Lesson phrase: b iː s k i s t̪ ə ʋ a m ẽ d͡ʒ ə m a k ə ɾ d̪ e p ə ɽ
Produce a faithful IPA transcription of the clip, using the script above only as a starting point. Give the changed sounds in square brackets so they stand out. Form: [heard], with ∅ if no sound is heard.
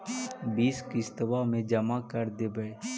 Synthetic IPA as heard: b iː s k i s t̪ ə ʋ a m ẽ d͡ʒ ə m a k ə ɾ d̪ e [b] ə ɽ